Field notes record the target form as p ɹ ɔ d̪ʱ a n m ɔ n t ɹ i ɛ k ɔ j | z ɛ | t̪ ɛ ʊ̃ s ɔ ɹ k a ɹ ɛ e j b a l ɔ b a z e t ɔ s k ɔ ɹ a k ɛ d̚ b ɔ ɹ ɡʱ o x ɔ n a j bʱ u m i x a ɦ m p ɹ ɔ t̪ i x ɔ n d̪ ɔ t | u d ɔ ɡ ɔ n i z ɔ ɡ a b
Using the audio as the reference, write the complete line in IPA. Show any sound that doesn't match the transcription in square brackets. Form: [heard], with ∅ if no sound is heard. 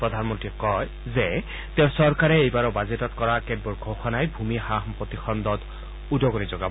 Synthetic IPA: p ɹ ɔ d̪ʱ a n m ɔ n t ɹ i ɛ k ɔ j | z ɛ | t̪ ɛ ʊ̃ s ɔ ɹ k a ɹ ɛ e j b a [ɹ] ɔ b a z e t ɔ [t] k ɔ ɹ a k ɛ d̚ b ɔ ɹ ɡʱ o x ɔ n a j bʱ u m i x a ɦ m p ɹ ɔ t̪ i x ɔ n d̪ ɔ t | u d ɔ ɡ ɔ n i z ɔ ɡ a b